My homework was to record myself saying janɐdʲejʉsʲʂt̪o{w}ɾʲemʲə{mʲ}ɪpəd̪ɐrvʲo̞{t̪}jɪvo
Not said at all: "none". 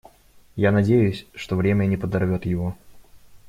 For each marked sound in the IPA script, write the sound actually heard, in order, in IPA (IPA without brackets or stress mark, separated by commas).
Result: v, nʲ, t̪